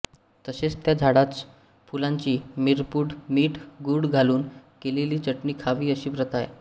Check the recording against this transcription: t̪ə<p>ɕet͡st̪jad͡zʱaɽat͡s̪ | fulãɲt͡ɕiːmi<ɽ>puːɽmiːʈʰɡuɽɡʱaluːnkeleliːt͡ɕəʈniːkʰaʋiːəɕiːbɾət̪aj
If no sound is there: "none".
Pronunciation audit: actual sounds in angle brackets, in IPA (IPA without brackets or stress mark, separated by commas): none, ɾ